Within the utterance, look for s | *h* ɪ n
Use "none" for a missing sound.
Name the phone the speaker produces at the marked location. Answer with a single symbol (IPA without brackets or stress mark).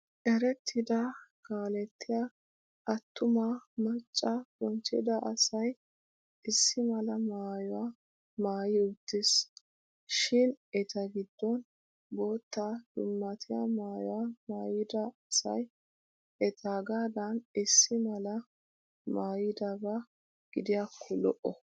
ʃ